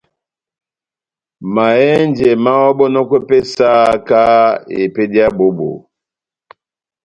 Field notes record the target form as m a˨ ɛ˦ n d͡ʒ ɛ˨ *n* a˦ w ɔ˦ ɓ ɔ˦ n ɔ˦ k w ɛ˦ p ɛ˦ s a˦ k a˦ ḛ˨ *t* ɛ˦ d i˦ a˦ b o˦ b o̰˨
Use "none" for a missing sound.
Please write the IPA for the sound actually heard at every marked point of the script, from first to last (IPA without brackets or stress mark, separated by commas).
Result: m, p